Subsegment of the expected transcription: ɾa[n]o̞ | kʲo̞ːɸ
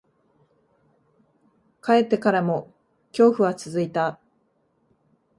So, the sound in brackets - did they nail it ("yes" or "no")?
no